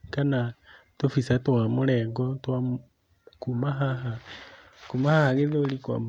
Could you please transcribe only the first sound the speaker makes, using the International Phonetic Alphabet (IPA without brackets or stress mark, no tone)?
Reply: k